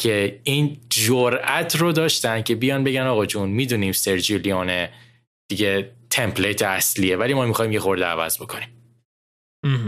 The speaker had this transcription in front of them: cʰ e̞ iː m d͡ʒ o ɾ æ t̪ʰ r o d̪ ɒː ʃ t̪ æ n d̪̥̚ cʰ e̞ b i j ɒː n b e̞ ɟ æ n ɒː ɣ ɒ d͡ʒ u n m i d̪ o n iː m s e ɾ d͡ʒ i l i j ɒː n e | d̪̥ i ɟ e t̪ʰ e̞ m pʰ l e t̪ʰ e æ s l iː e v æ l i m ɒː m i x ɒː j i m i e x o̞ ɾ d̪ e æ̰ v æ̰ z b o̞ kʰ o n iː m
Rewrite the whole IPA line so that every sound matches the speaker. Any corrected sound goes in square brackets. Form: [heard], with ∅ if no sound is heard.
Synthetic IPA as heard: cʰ e̞ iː [n] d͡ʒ o ɾ æ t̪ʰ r o d̪ ɒː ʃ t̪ æ n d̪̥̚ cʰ e̞ b i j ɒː n b e̞ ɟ æ n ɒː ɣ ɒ d͡ʒ u n m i d̪ [u] n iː m s e ɾ d͡ʒ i l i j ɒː n e | d̪̥ i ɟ e t̪ʰ e̞ m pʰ l e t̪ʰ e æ s l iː e v æ l i m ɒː m i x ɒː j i m [j] e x o̞ ɾ d̪ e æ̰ v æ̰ z b o̞ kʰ o n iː m